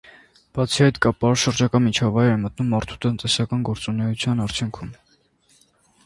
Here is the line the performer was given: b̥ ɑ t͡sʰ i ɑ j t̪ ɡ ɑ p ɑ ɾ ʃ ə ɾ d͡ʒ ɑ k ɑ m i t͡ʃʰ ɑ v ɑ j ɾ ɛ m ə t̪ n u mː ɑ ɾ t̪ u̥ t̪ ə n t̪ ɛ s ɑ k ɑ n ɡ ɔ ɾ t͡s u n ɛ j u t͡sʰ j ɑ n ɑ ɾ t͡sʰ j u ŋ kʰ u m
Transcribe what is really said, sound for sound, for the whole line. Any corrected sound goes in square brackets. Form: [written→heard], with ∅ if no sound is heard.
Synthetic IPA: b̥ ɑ t͡sʰ i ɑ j t̪ [ɡ→k] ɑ p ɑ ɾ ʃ ə ɾ d͡ʒ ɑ k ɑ m i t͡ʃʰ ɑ v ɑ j ɾ ɛ m ə t̪ n u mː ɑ ɾ [t̪→t̪ʰ] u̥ t̪ ə n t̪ ɛ s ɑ k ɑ n ɡ ɔ ɾ t͡s u n ɛ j u t͡sʰ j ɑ n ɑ ɾ t͡sʰ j u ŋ kʰ u m

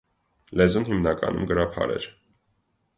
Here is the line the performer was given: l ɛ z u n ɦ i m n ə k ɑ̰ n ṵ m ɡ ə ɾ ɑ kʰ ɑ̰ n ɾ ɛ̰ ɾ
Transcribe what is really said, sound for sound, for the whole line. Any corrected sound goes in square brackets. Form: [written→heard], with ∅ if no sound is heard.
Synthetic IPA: l ɛ z u n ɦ i m n [ə→ɑ] k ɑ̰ n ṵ m ɡ ə ɾ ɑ [kʰ→pʰ] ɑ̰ [n→∅] ɾ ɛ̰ ɾ

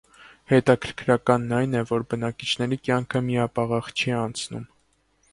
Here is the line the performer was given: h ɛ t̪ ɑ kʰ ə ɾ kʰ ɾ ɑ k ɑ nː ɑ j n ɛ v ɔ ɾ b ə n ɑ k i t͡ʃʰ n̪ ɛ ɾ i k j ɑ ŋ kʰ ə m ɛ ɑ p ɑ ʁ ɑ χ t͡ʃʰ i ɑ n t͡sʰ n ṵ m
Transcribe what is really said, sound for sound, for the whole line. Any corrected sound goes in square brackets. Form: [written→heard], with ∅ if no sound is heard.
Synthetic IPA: h ɛ t̪ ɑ kʰ ə ɾ kʰ ɾ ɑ k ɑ nː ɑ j n ɛ v ɔ ɾ b ə n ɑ k i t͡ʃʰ n̪ ɛ ɾ i k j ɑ ŋ kʰ ə m [ɛ→i] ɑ p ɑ ʁ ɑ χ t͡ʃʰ i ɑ n t͡sʰ n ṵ m

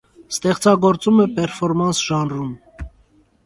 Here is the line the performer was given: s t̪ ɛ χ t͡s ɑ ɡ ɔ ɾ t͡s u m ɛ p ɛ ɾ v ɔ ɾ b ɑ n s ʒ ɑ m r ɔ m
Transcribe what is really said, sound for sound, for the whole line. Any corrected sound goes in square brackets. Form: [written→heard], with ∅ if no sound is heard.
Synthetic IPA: s t̪ ɛ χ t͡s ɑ ɡ ɔ ɾ t͡s u m ɛ p ɛ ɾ [v→f] ɔ ɾ [b→m] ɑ n s ʒ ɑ [m→n] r [ɔ→u] m

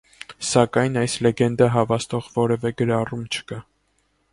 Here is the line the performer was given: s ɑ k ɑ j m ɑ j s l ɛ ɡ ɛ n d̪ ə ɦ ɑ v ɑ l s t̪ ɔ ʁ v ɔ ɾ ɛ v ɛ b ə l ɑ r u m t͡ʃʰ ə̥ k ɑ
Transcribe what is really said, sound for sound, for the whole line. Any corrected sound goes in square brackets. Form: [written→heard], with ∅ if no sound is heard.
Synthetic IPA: s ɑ k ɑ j [m→n] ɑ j s l ɛ ɡ ɛ n d̪ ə ɦ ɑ v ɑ [l→∅] s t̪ ɔ ʁ v ɔ ɾ ɛ v ɛ [b→ɡ] ə [l→ɾ] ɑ r u m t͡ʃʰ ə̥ k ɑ

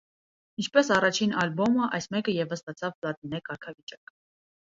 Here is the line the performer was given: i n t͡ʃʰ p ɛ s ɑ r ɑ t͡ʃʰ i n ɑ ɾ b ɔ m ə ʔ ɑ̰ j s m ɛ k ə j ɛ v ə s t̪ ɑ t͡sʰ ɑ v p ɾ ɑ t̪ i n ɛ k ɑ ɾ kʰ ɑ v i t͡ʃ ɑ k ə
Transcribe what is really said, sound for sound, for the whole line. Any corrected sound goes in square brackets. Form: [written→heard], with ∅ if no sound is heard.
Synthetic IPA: i n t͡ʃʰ p ɛ s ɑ r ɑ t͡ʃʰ i n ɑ [ɾ→l] b ɔ m ə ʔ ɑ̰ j s m ɛ k ə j ɛ v ə s t̪ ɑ t͡sʰ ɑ v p [ɾ→l] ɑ t̪ i n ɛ k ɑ ɾ kʰ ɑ v i t͡ʃ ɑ k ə

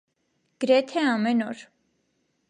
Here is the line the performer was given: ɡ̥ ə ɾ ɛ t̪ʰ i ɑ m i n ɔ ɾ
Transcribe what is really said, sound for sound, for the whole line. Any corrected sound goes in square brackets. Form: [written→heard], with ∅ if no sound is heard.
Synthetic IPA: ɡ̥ ə ɾ ɛ t̪ʰ [i→ɛ] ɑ m [i→ɛ] n ɔ ɾ

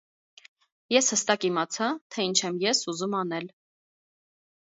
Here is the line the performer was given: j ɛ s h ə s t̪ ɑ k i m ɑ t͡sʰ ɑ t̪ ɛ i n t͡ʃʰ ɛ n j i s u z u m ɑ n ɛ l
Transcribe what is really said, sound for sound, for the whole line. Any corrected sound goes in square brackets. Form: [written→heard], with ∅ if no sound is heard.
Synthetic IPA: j ɛ s h ə s t̪ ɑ k i m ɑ t͡sʰ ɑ [t̪→t̪ʰ] ɛ i n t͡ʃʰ ɛ [n→m] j [i→ɛ] s u z u m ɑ n ɛ l

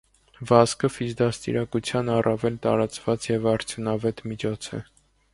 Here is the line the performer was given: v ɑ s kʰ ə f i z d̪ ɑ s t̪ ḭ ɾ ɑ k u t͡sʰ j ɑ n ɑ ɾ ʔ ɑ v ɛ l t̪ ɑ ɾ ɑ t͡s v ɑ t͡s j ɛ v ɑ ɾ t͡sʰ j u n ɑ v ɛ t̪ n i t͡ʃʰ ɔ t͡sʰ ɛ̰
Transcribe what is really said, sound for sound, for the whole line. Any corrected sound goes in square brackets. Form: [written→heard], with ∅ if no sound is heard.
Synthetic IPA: v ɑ s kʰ ə f i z d̪ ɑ s t̪ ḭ ɾ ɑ k u t͡sʰ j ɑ n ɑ [ɾ→r] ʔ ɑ v ɛ l t̪ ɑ ɾ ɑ t͡s v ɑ t͡s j ɛ v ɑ ɾ t͡sʰ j u n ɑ v ɛ t̪ [n→m] i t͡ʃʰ ɔ t͡sʰ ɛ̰

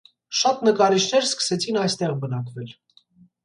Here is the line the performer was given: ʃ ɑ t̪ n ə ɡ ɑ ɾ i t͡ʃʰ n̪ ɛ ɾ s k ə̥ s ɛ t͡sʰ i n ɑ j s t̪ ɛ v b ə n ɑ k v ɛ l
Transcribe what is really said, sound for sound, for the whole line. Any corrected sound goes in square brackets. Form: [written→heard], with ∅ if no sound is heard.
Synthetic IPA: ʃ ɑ t̪ n ə [ɡ→k] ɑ ɾ i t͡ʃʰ n̪ ɛ ɾ s k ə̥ s ɛ t͡sʰ i n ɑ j s t̪ ɛ [v→ʁ] b ə n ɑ k v ɛ l

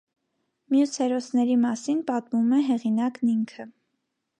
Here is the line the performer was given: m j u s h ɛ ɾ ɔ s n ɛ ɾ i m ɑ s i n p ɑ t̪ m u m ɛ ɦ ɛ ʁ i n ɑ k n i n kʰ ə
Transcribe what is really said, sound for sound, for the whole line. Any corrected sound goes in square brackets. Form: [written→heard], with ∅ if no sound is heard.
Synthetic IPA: m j u s h ɛ ɾ ɔ s n ɛ ɾ i m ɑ s i n p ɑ t̪ m u m ɛ ɦ ɛ ʁ i n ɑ k n i [n→ŋ] kʰ ə

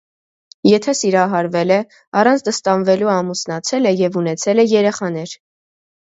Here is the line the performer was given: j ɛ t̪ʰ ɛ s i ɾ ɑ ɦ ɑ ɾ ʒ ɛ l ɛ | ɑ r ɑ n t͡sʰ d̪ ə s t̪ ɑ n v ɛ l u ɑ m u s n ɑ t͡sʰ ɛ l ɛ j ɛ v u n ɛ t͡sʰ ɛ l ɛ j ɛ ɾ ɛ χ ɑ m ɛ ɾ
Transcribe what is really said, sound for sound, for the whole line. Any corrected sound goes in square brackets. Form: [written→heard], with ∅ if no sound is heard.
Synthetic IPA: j ɛ t̪ʰ ɛ s i ɾ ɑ ɦ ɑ ɾ [ʒ→v] ɛ l ɛ | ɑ r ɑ n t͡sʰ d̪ ə s t̪ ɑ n v ɛ l u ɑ m u s n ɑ t͡sʰ ɛ l ɛ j ɛ v u n ɛ t͡sʰ ɛ l ɛ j ɛ ɾ ɛ χ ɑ [m→n] ɛ ɾ

